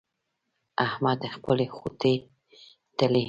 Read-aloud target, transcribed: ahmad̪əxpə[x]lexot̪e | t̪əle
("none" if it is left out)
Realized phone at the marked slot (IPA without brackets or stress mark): none